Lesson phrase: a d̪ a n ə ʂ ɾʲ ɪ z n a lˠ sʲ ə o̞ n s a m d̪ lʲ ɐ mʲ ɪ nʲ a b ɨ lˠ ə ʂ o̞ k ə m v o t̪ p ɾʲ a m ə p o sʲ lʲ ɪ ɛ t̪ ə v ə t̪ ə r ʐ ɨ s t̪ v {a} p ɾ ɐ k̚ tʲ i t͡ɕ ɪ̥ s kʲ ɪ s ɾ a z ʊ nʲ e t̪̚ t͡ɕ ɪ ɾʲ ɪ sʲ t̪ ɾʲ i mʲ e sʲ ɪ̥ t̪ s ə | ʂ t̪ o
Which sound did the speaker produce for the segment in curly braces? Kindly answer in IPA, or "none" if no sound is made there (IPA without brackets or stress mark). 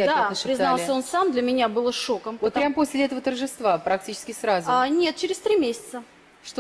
a